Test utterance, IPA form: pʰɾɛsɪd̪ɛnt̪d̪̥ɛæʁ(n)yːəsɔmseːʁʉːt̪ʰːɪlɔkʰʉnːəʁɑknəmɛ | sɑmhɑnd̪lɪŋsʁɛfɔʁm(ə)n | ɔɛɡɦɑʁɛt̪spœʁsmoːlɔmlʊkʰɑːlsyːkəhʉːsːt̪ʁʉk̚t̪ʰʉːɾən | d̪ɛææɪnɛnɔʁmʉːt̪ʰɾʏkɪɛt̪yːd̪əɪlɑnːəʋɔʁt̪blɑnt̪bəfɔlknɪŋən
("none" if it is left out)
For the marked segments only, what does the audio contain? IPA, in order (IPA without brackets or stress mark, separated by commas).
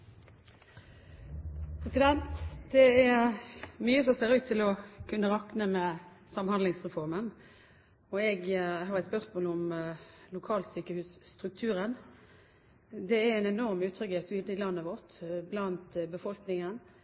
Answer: m, ə